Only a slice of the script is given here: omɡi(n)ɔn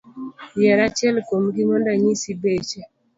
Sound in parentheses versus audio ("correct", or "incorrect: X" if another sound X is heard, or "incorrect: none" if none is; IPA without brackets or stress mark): incorrect: m